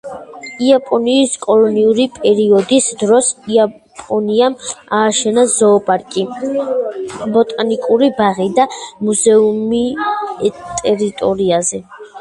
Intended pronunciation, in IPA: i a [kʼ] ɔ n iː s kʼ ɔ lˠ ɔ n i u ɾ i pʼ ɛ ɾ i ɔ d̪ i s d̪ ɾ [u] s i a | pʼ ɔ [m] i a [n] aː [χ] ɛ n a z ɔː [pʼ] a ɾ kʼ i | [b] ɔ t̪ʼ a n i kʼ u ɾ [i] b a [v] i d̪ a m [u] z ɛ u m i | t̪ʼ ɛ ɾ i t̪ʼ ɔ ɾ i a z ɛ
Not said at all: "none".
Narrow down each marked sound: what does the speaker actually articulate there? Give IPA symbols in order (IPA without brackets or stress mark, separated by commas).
pʼ, ɔ, n, m, ʃ, pʼ, b, i, ʁ, u